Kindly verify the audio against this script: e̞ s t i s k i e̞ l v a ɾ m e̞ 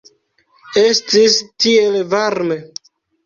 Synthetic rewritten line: e̞ s t i s t i e̞ l v a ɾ m e̞